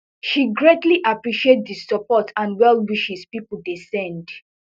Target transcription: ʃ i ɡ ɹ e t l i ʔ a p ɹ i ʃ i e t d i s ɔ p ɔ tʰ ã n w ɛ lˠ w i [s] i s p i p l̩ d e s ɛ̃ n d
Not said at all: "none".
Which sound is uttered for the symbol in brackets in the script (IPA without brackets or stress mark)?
ʃ